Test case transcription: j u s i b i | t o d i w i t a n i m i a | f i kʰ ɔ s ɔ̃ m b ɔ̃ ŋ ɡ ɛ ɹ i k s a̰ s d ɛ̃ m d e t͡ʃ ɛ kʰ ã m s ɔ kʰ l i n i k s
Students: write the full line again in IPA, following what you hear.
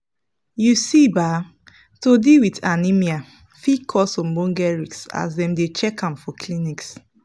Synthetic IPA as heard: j u s i b a | t o d i w i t a n i m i a | f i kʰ ɔ s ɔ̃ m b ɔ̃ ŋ ɡ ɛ ɹ i k s a̰ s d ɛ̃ m d e t͡ʃ ɛ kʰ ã m f ɔ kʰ l i n i k s